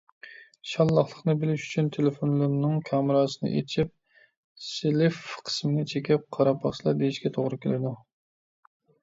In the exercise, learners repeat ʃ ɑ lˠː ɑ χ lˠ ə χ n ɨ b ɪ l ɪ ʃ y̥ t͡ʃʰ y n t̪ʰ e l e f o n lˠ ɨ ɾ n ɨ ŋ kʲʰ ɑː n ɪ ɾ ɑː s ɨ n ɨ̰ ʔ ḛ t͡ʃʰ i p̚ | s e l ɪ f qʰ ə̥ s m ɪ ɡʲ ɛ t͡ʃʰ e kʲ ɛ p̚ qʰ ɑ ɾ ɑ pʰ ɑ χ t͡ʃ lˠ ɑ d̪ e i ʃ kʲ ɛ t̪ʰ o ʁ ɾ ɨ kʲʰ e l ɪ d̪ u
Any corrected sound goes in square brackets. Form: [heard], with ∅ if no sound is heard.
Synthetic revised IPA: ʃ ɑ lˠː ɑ χ lˠ ə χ n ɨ b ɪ l ɪ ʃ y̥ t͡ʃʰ y n t̪ʰ e l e f o n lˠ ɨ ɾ n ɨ ŋ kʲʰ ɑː [m] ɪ ɾ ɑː s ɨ n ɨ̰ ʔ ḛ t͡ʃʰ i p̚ | s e l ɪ f qʰ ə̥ s m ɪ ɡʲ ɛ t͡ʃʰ e kʲ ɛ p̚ qʰ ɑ ɾ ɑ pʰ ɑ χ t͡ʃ lˠ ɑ d̪ e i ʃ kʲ ɛ t̪ʰ o ʁ ɾ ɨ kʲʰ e l ɪ d̪ u